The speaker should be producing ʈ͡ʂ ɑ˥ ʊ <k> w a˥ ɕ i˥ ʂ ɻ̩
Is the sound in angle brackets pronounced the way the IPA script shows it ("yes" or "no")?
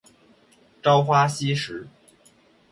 no